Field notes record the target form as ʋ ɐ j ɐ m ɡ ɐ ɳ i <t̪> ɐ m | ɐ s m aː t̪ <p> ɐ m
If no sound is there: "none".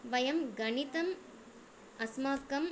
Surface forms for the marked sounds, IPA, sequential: t̪, k

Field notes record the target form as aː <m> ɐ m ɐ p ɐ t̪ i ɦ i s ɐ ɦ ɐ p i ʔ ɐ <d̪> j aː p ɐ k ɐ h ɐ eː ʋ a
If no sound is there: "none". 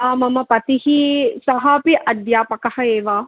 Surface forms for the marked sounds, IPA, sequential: m, d̪

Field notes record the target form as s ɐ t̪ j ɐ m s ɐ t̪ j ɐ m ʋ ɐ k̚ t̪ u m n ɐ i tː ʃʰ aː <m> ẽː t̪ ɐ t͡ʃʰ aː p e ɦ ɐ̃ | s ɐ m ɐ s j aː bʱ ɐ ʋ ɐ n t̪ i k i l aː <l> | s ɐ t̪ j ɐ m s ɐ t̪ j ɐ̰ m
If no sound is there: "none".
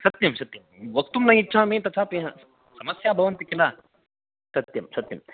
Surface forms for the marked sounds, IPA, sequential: m, none

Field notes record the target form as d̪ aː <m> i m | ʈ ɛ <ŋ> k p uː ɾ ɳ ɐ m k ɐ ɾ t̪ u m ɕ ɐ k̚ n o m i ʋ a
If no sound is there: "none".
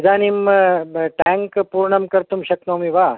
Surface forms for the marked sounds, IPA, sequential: n, ŋ

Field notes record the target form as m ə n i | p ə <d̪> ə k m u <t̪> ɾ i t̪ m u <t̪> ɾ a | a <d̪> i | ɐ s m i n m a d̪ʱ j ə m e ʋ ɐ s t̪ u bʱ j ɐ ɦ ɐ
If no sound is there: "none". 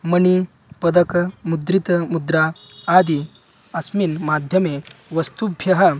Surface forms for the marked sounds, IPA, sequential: d̪, d̪, d̪, d̪

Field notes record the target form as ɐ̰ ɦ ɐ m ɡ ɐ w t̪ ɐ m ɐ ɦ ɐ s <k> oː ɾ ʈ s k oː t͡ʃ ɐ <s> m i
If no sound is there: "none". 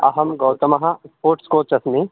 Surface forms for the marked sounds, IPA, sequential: p, s

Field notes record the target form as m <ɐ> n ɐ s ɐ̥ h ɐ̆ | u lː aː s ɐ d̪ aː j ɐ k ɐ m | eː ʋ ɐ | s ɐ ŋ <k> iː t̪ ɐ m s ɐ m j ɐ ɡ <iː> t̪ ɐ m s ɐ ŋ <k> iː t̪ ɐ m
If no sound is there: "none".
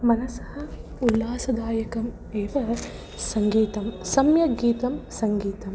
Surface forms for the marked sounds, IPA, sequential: ɐ, ɡ, iː, ɡ

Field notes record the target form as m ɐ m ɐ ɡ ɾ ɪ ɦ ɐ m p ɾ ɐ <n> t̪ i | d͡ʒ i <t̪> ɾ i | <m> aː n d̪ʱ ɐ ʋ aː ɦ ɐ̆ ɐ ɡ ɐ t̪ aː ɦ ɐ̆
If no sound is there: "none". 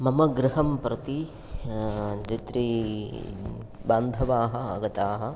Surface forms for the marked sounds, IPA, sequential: none, t̪, b

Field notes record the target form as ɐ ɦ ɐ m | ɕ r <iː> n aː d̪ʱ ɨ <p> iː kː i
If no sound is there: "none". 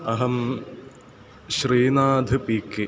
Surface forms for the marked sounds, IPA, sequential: iː, p

